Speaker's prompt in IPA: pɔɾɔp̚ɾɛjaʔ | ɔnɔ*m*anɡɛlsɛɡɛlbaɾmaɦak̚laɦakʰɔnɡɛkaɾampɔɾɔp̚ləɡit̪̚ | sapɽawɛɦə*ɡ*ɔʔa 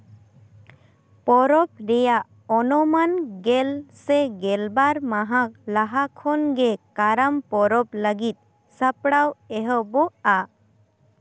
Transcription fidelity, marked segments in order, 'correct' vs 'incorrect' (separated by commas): correct, incorrect